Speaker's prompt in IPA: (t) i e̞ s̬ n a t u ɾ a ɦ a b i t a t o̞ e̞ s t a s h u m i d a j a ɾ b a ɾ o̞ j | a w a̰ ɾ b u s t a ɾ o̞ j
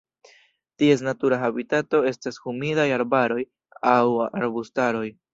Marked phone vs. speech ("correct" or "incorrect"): correct